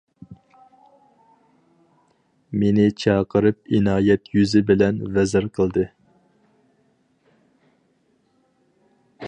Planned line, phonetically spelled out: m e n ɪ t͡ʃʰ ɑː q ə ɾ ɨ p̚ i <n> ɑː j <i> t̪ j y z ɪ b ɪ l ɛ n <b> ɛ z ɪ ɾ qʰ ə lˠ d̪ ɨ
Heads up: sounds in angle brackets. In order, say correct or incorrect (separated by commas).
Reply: correct, incorrect, incorrect